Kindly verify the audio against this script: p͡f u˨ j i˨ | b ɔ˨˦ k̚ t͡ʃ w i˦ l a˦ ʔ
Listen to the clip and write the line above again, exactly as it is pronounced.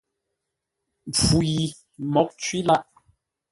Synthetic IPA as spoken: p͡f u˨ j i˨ | m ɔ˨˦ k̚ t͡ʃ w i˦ l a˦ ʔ